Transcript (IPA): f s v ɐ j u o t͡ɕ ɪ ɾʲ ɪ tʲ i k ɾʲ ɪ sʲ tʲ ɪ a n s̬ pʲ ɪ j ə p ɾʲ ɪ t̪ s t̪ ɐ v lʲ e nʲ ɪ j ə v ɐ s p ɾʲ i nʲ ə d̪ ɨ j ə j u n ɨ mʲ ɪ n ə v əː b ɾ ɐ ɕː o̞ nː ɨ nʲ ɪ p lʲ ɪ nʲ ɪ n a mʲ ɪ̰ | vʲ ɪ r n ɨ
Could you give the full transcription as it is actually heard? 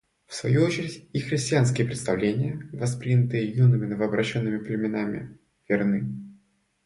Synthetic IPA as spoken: f s v ɐ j u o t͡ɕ ɪ ɾʲ ɪ tʲ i x ɾʲ ɪ sʲ tʲ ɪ a n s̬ kʲ ɪ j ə p ɾʲ ɪ t̪ s t̪ ɐ v lʲ e nʲ ɪ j ə v ɐ s p ɾʲ i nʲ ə t̪ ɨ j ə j u n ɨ mʲ ɪ n ə v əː b ɾ ɐ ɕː o̞ nː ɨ mʲ ɪ p lʲ ɪ mʲ ɪ n a mʲ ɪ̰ | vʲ ɪ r n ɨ